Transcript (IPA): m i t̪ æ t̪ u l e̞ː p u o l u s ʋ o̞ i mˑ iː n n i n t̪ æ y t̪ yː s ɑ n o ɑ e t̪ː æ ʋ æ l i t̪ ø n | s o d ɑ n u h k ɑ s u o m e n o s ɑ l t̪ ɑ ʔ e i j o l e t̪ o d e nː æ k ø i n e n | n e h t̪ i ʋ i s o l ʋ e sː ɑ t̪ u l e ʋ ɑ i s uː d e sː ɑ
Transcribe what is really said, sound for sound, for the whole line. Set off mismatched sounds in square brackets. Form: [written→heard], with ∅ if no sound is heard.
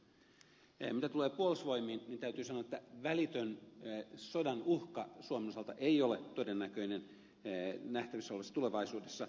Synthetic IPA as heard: m i t̪ æ t̪ u l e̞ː p u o l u s ʋ o̞ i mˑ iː n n i n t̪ æ y t̪ yː s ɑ n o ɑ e t̪ː æ ʋ æ l i t̪ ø n | s o d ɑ n u h k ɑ s u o m e n o s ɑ l t̪ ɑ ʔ e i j o l e t̪ o d e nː æ k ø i n e n | n [e→æ] h t̪ [i→æ] ʋ i s o l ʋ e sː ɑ t̪ u l e ʋ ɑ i s uː d e sː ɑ